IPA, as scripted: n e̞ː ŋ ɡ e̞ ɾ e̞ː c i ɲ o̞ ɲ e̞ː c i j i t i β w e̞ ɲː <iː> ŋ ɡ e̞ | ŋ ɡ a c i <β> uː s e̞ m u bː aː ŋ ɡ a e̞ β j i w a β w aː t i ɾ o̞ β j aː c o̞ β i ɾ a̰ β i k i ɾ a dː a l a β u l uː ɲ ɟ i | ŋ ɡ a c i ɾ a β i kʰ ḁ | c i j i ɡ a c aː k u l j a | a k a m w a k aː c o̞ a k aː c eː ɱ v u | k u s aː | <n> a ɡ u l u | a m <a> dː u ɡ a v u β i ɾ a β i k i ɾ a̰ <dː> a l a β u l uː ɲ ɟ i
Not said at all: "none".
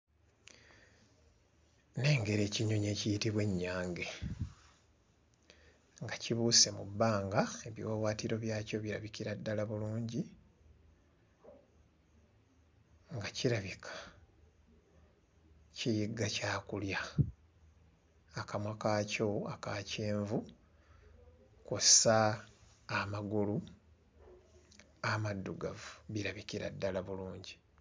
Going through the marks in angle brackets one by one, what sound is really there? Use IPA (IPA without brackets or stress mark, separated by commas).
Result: aː, β, m, a, dː